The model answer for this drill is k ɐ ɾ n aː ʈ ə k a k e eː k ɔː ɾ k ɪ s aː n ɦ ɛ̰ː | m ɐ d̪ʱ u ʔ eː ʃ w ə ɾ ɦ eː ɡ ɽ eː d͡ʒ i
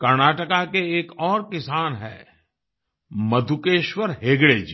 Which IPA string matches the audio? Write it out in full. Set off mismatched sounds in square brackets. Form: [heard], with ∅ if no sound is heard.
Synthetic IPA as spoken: k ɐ ɾ n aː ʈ ə k a k e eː k ɔː ɾ k ɪ s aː n ɦ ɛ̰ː | m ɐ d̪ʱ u [k] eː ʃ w ə ɾ ɦ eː ɡ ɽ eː d͡ʒ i